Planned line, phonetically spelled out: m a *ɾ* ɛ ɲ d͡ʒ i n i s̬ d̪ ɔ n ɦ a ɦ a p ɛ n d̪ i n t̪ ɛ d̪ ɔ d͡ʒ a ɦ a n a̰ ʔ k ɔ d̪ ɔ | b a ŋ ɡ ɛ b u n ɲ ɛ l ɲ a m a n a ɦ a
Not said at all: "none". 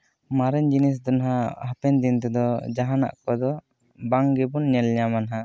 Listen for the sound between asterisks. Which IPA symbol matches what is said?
ɾ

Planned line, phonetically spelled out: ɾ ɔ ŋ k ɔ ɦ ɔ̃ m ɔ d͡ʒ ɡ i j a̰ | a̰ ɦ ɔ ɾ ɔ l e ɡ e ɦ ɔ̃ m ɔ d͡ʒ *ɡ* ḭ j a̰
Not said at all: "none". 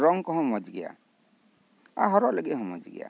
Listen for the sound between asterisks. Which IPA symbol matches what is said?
ɡ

